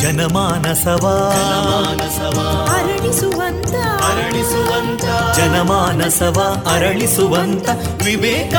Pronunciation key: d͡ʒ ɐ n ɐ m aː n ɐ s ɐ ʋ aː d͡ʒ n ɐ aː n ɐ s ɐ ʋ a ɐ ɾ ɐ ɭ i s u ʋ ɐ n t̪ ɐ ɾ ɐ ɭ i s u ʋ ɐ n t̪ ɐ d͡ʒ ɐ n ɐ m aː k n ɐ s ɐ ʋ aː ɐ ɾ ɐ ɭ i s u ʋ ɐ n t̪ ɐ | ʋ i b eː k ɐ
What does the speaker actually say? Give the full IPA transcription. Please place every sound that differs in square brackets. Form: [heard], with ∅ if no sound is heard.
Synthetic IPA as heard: d͡ʒ ɐ n ɐ m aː n ɐ s ɐ ʋ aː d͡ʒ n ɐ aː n ɐ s ɐ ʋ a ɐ ɾ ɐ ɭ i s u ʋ ɐ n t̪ ɐ ɾ ɐ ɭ i s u ʋ ɐ n t̪ ɐ d͡ʒ ɐ n ɐ m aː [∅] n ɐ s ɐ ʋ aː ɐ ɾ ɐ ɭ i s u ʋ ɐ n t̪ ɐ | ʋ i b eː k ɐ